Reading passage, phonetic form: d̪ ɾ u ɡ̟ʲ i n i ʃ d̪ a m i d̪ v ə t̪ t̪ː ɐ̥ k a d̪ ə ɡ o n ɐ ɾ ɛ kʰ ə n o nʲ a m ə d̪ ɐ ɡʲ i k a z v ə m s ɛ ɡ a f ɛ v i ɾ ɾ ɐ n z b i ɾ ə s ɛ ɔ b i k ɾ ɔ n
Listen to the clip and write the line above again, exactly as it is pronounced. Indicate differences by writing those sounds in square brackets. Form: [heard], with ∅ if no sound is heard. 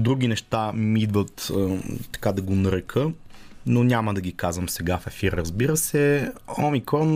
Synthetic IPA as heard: d̪ ɾ u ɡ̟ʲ i n [ɛ] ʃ [t̪] a m i d̪ v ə t̪ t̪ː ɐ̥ k a d̪ [ɐ] ɡ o n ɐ ɾ ɛ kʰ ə n o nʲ a m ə d̪ ɐ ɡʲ i k a z v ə m s ɛ ɡ a f ɛ [f] i ɾ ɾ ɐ [∅] z b i ɾ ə s ɛ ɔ [m] i k ɾ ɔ n